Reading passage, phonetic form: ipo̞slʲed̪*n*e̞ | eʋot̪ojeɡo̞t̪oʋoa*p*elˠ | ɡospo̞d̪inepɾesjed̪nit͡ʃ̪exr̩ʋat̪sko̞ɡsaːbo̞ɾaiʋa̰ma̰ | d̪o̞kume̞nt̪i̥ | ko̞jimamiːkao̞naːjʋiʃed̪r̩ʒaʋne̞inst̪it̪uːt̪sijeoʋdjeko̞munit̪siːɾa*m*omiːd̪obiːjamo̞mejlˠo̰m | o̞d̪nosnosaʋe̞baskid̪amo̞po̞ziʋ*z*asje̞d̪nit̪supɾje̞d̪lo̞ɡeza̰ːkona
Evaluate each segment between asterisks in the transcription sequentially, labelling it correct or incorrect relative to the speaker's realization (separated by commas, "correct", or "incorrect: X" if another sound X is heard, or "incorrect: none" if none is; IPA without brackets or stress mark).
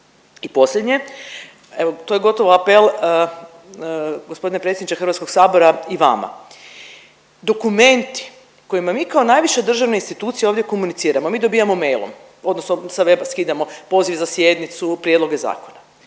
incorrect: ɲ, correct, correct, correct